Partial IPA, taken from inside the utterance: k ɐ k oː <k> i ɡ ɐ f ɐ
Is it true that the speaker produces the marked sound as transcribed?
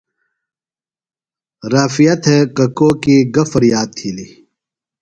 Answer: yes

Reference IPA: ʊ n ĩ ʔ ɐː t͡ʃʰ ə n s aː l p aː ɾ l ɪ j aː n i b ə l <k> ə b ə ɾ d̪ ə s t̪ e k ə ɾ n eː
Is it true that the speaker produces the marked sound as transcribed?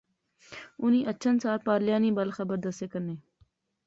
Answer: no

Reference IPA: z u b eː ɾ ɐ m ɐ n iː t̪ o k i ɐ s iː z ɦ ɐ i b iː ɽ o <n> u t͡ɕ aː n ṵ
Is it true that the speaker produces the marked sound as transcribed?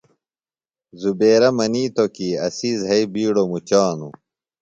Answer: no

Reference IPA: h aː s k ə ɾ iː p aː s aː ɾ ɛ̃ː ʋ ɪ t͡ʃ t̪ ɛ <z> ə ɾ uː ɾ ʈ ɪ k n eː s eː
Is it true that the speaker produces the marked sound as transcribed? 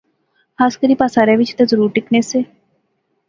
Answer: yes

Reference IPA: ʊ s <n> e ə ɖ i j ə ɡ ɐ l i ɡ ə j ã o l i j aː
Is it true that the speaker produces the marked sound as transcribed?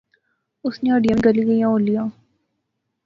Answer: yes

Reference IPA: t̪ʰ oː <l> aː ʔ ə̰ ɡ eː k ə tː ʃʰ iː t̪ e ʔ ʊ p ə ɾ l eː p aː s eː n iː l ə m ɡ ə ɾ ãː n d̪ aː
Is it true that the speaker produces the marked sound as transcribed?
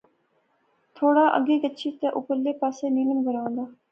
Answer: no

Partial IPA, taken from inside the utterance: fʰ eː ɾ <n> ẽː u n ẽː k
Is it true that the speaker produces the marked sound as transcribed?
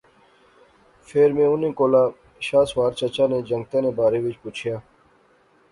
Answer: no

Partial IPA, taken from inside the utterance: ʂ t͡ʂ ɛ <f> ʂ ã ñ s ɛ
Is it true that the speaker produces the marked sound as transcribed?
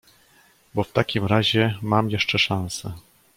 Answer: no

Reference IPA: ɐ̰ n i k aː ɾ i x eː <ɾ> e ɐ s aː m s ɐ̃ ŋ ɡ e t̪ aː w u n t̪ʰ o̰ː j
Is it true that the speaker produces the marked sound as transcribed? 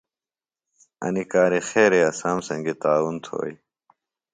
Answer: yes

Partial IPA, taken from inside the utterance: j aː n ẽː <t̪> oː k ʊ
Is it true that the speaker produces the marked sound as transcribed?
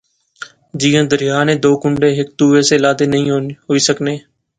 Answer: no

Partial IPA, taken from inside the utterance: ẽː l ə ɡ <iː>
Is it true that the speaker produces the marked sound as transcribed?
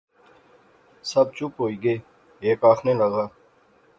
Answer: no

